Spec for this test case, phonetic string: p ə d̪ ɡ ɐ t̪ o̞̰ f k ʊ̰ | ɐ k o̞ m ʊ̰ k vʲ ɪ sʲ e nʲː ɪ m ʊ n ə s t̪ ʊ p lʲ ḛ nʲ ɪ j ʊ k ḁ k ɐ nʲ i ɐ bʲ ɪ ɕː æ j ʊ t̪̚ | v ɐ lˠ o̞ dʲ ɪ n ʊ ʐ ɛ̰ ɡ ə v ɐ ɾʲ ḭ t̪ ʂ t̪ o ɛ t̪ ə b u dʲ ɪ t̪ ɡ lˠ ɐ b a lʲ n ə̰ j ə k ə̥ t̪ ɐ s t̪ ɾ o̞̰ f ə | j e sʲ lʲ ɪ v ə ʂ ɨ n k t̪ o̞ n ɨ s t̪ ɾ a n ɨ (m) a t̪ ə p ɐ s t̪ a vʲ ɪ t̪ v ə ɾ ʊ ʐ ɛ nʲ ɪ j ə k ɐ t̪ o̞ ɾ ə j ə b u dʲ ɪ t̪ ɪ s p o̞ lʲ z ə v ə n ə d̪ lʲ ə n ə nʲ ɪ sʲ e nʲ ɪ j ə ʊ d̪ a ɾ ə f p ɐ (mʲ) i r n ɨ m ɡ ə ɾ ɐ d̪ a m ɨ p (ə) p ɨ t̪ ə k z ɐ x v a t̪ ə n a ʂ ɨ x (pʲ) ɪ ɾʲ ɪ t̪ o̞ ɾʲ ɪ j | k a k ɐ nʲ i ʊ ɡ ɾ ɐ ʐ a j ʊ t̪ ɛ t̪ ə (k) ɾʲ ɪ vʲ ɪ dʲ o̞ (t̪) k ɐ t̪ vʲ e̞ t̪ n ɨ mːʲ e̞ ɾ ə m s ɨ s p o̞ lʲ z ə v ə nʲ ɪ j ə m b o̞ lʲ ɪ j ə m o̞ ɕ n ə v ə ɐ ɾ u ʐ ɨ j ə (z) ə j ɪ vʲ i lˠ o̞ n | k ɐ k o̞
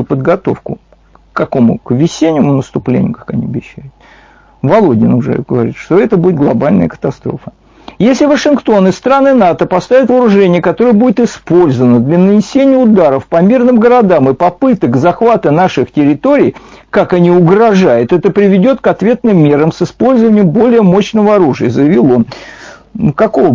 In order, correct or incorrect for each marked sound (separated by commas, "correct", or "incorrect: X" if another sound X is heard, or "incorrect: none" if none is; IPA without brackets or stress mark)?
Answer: incorrect: n, correct, incorrect: ɐ, incorrect: tʲ, incorrect: p, correct, correct